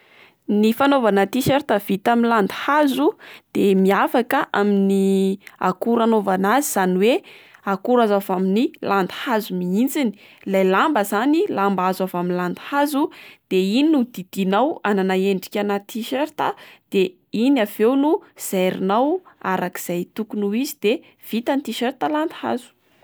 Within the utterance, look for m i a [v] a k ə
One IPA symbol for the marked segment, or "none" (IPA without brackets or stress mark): f